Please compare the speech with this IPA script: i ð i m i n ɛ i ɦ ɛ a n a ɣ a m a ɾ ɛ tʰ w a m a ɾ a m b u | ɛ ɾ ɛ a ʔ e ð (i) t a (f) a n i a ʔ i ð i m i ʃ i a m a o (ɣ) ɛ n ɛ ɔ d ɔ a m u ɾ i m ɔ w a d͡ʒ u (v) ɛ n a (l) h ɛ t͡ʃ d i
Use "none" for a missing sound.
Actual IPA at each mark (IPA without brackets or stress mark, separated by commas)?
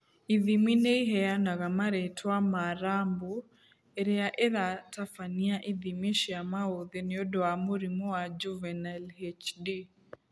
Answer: a, f, ð, v, l